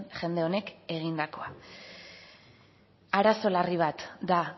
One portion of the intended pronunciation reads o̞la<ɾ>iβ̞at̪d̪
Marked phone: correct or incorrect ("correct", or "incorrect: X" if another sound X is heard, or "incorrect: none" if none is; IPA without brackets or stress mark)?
incorrect: r